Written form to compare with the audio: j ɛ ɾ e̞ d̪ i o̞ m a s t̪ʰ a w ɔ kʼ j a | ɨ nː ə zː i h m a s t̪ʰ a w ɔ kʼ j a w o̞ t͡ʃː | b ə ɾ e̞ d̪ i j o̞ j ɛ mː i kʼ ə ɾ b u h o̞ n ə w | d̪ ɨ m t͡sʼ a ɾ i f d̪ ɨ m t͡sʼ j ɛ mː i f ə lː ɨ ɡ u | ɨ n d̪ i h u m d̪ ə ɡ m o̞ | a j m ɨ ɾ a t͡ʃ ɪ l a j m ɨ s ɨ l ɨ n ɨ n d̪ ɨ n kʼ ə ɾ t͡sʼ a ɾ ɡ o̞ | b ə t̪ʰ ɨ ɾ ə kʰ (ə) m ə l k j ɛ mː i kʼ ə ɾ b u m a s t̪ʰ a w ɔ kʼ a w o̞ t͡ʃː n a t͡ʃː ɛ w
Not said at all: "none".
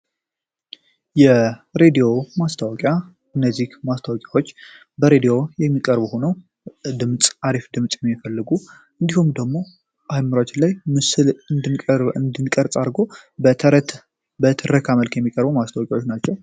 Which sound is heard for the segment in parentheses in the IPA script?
a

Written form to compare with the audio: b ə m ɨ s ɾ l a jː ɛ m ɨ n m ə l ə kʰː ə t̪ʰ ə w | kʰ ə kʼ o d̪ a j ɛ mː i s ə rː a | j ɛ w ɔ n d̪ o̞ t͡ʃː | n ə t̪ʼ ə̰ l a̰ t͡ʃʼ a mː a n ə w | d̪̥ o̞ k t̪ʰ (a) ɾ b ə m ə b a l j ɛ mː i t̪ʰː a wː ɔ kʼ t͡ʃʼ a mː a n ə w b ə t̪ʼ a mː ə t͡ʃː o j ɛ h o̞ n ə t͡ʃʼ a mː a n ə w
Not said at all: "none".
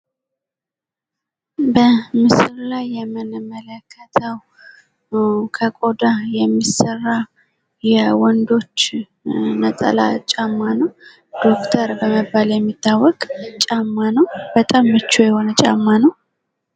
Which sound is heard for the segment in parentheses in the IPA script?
ə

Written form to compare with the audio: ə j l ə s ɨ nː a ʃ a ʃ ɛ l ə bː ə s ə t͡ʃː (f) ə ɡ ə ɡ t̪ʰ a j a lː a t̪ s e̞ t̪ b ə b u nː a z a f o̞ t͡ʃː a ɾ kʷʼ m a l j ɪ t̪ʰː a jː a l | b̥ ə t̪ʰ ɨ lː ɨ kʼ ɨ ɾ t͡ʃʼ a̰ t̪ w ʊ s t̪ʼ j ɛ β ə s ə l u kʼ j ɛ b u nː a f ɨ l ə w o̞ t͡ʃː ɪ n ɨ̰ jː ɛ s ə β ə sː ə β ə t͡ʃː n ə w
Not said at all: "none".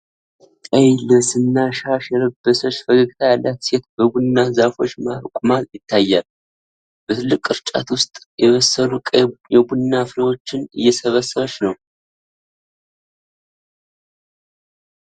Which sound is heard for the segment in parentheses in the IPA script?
f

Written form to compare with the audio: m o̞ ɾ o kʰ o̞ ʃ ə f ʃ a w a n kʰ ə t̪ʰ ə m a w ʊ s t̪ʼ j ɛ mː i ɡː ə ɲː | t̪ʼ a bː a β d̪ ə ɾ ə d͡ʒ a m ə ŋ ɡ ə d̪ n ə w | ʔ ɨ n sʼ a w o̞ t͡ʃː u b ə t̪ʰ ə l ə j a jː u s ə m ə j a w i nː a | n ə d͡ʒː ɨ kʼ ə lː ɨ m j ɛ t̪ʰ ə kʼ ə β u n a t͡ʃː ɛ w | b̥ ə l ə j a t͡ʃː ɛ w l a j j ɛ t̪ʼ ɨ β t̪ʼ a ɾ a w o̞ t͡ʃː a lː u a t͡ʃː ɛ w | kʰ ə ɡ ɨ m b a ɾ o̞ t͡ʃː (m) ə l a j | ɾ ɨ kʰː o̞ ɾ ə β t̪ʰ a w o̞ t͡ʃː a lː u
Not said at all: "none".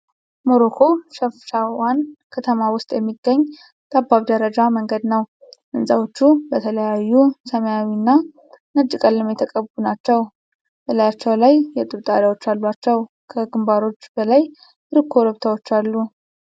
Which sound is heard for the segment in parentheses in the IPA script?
b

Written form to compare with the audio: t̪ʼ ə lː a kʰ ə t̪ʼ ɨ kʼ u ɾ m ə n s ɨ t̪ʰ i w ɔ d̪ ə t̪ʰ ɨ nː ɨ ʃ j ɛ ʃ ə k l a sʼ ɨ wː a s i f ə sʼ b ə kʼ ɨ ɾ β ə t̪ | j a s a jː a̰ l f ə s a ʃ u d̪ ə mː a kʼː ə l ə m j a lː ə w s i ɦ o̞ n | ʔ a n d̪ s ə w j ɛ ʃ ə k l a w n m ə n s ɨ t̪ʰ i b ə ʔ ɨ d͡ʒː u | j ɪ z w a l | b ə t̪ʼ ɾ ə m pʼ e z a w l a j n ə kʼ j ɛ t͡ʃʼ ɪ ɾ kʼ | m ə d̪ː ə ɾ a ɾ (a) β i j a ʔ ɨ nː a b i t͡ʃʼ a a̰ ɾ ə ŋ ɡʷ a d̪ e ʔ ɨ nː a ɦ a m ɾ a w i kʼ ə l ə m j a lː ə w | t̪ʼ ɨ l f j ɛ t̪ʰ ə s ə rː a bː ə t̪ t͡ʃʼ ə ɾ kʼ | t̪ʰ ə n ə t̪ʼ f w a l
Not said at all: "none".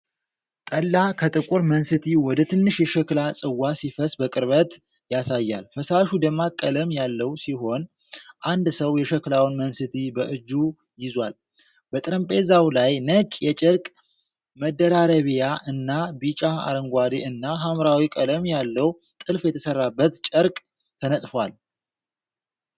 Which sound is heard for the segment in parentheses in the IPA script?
ə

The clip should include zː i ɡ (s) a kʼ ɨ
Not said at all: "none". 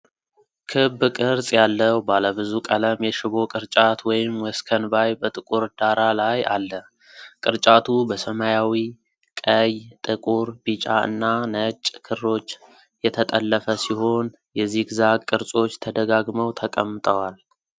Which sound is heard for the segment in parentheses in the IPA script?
z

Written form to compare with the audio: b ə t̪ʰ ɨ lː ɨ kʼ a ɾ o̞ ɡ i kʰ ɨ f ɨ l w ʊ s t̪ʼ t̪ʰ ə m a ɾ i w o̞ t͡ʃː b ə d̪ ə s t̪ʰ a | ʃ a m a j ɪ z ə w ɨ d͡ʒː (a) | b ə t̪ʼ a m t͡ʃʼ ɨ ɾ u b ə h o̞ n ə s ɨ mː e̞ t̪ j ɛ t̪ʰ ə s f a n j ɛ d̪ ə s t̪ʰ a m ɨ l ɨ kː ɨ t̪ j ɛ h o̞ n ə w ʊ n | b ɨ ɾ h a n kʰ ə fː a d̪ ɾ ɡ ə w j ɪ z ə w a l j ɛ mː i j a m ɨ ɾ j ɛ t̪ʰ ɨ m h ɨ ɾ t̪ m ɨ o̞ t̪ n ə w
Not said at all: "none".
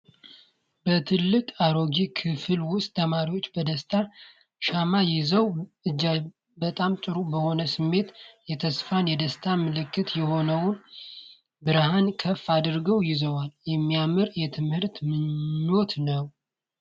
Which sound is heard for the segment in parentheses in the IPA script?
a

